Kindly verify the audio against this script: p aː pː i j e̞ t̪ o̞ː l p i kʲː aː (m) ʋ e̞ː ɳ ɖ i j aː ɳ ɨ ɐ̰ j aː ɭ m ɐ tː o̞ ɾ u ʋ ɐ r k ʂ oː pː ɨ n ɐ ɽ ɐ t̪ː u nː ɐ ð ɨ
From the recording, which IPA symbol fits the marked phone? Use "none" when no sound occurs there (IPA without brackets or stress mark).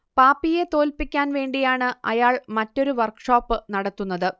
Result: n